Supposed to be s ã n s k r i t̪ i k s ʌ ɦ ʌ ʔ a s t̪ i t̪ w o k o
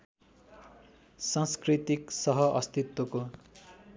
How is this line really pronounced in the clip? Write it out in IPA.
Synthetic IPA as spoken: s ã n s k r i t̪ i k s ʌ ɦ ʌ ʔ ʌ s t̪ i t̪ w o k o